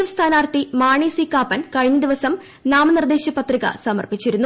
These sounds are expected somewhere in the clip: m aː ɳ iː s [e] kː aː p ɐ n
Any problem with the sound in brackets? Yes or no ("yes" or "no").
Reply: yes